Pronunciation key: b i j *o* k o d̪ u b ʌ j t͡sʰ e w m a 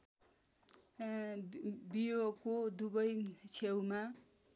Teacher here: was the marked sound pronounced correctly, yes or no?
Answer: yes